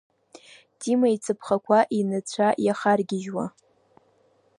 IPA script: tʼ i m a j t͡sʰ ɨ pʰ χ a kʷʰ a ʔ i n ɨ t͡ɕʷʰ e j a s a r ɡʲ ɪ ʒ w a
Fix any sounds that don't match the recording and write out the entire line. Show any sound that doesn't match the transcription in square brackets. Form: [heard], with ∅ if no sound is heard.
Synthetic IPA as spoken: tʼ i m a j t͡sʰ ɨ pʰ χ a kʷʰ a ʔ i n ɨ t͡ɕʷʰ [a] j a [χ] a r ɡʲ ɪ ʒ w a